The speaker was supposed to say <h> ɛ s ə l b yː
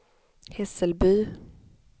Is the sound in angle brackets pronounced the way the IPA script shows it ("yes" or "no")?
yes